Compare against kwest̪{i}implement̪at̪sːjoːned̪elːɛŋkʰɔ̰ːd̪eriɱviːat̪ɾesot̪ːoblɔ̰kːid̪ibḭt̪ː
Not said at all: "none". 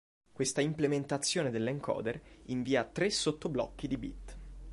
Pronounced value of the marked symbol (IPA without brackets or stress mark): a